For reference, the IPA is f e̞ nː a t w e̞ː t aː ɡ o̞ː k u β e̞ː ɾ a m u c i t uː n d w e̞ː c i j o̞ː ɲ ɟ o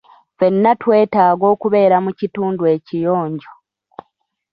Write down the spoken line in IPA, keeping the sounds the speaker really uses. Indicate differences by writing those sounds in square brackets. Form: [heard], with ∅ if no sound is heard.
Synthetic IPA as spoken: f e̞ nː a t w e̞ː t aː ɡ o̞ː k u β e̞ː ɾ a m u c i t uː n d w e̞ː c i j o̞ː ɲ ɟ o